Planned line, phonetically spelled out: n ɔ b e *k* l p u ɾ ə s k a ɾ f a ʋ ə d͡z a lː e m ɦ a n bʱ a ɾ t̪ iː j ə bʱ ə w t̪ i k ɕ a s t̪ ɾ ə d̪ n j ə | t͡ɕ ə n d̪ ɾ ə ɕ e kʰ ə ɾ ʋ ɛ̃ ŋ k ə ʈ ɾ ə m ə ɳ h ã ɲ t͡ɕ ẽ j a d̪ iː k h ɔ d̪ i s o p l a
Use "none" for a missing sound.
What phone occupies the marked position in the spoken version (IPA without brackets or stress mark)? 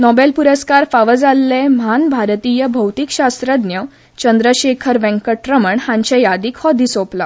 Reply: none